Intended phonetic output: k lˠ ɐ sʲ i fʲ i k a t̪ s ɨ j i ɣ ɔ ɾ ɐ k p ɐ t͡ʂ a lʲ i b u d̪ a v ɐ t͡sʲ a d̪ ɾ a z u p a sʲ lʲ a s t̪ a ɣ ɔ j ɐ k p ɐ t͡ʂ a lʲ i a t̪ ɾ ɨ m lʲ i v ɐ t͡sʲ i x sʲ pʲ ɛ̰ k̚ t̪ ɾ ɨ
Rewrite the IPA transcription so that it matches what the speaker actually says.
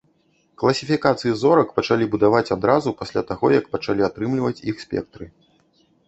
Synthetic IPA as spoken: k lˠ ɐ sʲ i fʲ i k a t̪ s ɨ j i z ɔ ɾ ɐ k p ɐ t͡ʂ a lʲ i b u d̪ a v a t͡sʲ a d̪ ɾ a z u p a sʲ lʲ a t̪ a ɣ ɔ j ɐ k p ɐ t͡ʂ a lʲ i a t̪ ɾ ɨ m lʲ i v ɐ t͡sʲ i x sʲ pʲ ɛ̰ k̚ t̪ ɾ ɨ